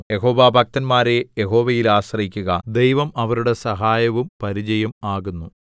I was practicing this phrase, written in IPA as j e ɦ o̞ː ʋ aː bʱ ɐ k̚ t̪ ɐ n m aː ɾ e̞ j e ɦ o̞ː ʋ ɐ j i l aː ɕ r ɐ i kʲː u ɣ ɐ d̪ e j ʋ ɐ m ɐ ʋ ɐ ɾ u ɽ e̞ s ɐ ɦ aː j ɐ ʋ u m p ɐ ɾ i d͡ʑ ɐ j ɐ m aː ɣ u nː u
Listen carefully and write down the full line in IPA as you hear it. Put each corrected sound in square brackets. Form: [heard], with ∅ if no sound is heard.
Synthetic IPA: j e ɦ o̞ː ʋ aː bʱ ɐ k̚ t̪ ɐ n m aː ɾ e̞ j e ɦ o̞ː ʋ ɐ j i l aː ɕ r ɐ i kʲː u ɣ ɐ d̪ e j ʋ ɐ m ɐ ʋ ɐ ɾ u ɽ e̞ s ɐ ɦ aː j ɐ ʋ u m p ɐ ɾ i d͡ʑ ɐ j ɐ m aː ɣ u nː u